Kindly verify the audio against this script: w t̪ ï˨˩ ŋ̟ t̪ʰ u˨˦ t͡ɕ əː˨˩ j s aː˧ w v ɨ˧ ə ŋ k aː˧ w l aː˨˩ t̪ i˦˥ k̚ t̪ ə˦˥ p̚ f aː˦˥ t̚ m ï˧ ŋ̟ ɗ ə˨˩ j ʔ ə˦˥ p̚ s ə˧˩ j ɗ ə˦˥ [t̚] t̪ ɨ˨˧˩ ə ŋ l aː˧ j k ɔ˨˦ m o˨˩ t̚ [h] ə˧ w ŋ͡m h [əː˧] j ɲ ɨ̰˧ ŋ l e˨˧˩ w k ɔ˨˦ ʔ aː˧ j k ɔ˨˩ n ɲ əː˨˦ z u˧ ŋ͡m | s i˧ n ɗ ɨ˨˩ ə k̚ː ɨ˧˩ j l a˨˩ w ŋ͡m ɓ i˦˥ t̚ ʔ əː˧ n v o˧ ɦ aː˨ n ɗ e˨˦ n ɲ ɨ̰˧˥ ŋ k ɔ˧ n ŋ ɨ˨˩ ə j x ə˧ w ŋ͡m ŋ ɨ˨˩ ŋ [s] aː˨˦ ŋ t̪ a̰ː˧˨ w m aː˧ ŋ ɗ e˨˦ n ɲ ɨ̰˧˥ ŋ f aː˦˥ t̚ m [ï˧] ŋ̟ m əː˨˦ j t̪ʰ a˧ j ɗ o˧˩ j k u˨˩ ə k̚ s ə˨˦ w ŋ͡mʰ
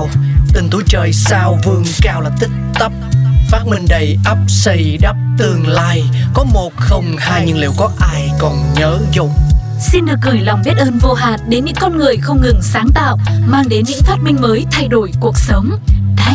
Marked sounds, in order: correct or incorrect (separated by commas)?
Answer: incorrect, incorrect, incorrect, correct, correct